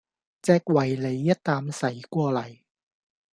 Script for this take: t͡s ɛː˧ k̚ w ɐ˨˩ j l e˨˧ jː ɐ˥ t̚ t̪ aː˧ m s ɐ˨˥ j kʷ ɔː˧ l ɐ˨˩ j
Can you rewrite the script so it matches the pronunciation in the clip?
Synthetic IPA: t͡s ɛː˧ k̚ w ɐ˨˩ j l e˨˧ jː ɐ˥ t̚ t̪ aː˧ m s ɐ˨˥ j kʷ ɔː˧ l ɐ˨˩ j

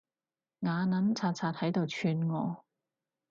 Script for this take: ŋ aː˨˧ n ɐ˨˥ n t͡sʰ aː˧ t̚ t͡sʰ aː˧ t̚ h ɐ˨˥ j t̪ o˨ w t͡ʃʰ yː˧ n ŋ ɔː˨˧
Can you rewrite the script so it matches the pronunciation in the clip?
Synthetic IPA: ŋ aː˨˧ n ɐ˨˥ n t͡sʰ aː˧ t̚ t͡sʰ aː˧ t̚ h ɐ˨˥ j t̪ o˨ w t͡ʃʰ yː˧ n ŋ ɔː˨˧

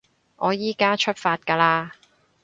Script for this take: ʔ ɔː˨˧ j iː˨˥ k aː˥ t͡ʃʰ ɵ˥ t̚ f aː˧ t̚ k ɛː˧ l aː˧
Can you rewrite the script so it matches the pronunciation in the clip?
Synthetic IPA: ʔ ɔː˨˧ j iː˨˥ k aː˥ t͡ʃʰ ɵ˥ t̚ f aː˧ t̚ k aː˧ l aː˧

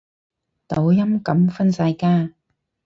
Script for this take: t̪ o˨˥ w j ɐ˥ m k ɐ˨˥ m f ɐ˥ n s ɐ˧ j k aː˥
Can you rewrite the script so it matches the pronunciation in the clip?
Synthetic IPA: t̪ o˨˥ w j ɐ˥ m k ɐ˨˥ m f ɐ˥ n s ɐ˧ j k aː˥

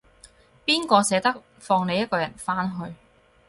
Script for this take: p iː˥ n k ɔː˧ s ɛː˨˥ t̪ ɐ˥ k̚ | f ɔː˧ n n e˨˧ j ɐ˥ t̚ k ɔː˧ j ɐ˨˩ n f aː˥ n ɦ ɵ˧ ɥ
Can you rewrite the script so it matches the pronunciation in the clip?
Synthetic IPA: p iː˥ n k ɔː˧ s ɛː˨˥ t̪ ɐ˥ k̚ | f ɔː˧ ŋ n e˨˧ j ɐ˥ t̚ k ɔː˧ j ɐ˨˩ n f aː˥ n ɦ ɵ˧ ɥ

